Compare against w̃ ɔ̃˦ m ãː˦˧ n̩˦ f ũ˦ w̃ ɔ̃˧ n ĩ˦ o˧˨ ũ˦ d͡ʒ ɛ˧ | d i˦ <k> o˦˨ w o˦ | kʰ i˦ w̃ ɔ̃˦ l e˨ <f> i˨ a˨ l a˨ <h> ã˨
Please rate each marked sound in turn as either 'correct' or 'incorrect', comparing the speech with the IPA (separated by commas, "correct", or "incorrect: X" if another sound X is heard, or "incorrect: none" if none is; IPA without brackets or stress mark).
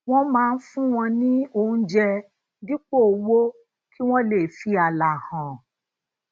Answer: incorrect: k͡p, correct, correct